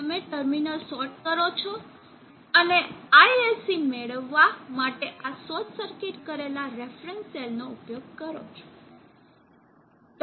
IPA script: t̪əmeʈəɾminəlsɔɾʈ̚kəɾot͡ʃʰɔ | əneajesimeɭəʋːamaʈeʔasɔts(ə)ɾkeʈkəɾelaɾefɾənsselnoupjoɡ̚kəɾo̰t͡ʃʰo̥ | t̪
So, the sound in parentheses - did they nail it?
yes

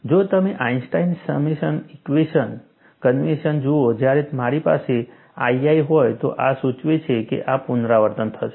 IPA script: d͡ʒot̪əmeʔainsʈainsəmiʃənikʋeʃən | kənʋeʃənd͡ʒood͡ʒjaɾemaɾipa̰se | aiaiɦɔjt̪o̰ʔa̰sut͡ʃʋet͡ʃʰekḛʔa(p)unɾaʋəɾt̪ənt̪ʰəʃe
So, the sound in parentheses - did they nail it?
yes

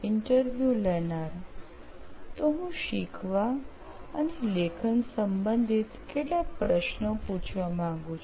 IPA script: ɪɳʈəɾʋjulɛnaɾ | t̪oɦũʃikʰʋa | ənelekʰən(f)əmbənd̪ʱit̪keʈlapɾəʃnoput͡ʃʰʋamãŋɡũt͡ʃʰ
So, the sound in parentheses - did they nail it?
no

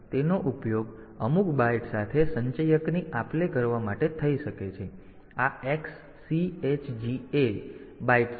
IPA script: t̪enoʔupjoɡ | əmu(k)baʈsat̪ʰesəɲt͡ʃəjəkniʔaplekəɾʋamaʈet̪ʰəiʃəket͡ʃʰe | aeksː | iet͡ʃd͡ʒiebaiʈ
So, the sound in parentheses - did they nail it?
yes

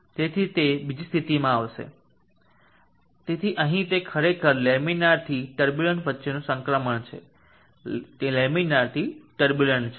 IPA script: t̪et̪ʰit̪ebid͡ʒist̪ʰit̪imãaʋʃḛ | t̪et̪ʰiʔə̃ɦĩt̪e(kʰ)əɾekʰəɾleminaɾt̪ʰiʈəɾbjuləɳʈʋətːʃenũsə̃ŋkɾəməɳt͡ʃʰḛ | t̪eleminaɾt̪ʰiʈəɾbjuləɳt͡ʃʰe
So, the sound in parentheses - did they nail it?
yes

